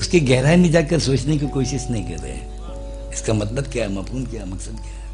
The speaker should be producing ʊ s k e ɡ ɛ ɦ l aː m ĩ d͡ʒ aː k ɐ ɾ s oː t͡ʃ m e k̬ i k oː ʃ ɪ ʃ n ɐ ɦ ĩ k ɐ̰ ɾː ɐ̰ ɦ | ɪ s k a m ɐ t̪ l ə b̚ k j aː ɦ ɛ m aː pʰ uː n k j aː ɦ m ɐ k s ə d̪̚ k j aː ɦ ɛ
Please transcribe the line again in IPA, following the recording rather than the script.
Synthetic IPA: ʊ s k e ɡ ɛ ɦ ɾ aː m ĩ d͡ʒ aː k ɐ ɾ s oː t͡ʃ n e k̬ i k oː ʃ ɪ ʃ n ɐ ɦ ĩ k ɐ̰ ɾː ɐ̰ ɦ | ɪ s k a m ɐ t̪ l ə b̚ k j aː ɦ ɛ m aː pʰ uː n k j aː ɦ m ɐ k s ə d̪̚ k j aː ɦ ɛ